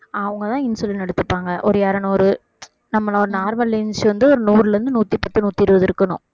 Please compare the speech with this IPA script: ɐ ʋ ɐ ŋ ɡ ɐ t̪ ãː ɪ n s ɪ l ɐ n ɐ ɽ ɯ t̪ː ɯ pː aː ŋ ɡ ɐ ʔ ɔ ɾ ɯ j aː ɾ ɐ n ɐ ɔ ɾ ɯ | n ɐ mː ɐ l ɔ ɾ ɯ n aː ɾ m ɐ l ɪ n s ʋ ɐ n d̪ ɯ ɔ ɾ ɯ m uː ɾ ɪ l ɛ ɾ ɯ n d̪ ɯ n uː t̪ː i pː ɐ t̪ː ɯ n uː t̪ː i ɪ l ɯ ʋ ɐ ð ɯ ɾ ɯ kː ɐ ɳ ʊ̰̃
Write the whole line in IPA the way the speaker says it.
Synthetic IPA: ɐ ʋ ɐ ŋ ɡ ɐ t̪ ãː ɪ n s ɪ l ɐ n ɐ ɽ ɯ t̪ː ɯ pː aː ŋ ɡ ɐ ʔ ɔ ɾ ɯ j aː ɾ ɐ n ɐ ɔ ɾ ɯ | n ɐ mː ɐ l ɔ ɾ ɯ n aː ɾ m ɐ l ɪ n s ʋ ɐ n d̪ ɯ ɔ ɾ ɯ n uː ɾ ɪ l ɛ ɾ ɯ n d̪ ɯ n uː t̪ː i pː ɐ t̪ː ɯ n uː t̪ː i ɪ ɾ ɯ ʋ ɐ ð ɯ ɾ ɯ kː ɐ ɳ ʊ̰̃

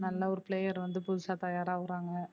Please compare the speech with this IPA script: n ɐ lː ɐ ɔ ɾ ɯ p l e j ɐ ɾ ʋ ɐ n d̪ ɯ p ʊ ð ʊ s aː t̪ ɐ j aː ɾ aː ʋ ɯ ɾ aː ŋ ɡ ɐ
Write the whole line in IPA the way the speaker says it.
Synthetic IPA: n ɐ lː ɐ ɔ ɾ ɯ p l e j ɐ ɾ ʋ ɐ n d̪ ɯ p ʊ ð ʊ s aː t̪ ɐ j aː ɾ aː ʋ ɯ ɾ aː ŋ ɡ ɐ

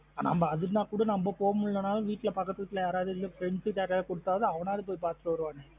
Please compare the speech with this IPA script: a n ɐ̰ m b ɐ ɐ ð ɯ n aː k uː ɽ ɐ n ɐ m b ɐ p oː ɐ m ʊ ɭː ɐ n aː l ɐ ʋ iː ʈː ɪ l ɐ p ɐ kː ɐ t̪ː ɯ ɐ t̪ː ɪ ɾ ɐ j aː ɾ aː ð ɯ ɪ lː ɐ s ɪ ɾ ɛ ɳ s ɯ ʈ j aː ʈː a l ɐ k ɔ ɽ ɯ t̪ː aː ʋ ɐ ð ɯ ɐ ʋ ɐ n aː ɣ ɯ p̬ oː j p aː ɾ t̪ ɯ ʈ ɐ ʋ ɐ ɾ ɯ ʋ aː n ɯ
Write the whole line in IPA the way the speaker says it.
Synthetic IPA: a n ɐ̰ m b ɐ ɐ ð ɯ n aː k uː ɽ ɐ n ɐ m b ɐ p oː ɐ m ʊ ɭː ɐ n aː l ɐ ʋ iː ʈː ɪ l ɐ p ɐ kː ɐ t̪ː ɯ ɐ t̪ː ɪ l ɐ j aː ɾ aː ð ɯ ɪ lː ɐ f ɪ ɾ ɛ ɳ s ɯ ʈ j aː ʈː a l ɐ k ɔ ɽ ɯ t̪ː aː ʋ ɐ ð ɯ ɐ ʋ ɐ n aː ð ɯ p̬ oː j p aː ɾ t̪ ɯ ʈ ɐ ʋ ɐ ɾ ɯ ʋ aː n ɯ

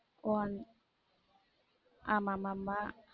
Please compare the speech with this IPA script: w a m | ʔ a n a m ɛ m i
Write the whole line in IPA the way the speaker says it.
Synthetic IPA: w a n | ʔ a m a m a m a

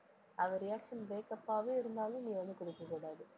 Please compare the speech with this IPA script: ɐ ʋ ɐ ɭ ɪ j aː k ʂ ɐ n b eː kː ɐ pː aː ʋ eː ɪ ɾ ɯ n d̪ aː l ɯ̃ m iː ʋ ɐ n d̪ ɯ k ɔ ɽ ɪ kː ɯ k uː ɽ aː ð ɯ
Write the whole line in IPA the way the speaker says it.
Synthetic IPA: ɐ ʋ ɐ ɾ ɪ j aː k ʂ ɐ n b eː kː ɐ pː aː ʋ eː ɪ ɾ ɯ n d̪ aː l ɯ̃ n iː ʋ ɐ n d̪ ɯ k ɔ ɽ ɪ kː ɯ k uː ɽ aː ð ɯ

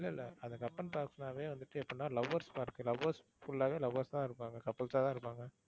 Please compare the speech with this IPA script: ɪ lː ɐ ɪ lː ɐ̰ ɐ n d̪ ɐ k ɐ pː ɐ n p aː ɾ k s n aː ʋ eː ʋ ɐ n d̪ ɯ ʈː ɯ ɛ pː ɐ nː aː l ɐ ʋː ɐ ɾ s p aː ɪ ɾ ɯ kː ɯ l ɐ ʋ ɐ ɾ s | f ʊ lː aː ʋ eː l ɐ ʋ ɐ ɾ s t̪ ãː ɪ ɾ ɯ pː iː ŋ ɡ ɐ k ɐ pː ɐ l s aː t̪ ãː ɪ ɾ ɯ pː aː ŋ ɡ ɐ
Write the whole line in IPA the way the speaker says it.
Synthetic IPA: ɪ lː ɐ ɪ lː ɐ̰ ɐ n d̪ ɐ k ɐ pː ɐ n p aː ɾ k s n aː ʋ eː ʋ ɐ n d̪ ɯ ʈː ɯ ɛ pː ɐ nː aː l ɐ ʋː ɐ ɾ s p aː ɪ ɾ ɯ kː ɯ l ɐ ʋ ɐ ɾ s | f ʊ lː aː ʋ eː l ɐ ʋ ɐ ɾ s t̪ ãː ɪ ɾ ɯ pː aː ŋ ɡ ɐ k ɐ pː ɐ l s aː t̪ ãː ɪ ɾ ɯ pː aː ŋ ɡ ɐ

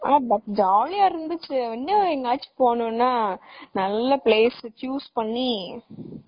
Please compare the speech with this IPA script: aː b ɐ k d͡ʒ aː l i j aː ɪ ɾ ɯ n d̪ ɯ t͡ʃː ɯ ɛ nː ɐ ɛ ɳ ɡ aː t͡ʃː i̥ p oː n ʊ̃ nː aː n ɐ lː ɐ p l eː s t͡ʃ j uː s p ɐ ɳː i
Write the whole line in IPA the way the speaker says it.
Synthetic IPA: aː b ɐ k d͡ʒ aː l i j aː ɪ ɾ ɯ n d̪ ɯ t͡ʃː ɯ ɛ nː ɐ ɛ ŋ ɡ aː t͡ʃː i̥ p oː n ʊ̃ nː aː n ɐ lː ɐ p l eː s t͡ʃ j uː s p ɐ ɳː i

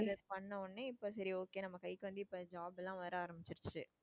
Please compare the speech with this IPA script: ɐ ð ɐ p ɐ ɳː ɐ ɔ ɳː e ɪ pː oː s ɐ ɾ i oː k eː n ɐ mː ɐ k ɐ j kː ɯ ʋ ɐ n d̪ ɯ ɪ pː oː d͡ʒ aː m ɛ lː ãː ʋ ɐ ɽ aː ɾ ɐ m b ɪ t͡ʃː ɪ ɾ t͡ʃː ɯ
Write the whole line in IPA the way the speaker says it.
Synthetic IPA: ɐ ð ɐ p ɐ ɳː ɐ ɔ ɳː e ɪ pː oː s ɐ ɾ i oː k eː n ɐ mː ɐ k ɐ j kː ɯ ʋ ɐ n d̪ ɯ ɪ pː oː d͡ʒ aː b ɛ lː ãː ʋ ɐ ɾ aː ɾ ɐ m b ɪ t͡ʃː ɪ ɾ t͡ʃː ɯ

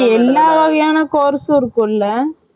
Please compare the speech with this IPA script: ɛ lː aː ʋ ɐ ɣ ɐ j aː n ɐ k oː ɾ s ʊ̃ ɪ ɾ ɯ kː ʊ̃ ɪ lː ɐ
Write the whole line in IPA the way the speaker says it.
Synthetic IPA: ɛ lː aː ʋ ɐ ɣ ɐ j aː n ɐ k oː ɾ s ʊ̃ ɪ ɾ ɯ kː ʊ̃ ɪ lː ɐ

